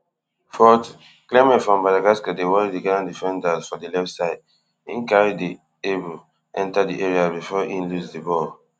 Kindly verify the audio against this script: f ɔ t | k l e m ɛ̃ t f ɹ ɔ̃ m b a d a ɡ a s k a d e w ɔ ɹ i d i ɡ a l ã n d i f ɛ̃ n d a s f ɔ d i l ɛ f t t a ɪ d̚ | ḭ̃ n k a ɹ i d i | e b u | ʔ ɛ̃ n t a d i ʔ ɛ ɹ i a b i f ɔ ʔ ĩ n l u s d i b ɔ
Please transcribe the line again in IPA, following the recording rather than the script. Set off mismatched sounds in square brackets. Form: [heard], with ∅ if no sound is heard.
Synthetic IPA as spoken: f ɔ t | k l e m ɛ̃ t f ɹ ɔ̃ m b a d a ɡ a s k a d e w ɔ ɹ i d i ɡ a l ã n d i f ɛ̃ n d a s f ɔ d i l ɛ f t [s] a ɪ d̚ | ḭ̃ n k a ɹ i d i | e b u | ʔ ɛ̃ n t a d i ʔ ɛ ɹ i a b i f ɔ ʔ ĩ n l u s d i b ɔ